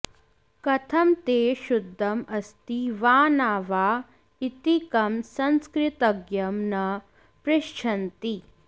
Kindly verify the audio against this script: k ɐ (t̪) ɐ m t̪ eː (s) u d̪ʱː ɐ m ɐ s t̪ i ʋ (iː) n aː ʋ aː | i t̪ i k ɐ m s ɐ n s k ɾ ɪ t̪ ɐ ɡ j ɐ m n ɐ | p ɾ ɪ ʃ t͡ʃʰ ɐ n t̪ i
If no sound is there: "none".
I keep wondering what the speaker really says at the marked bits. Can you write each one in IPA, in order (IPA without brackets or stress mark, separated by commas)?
t̪ʰ, ʃ, aː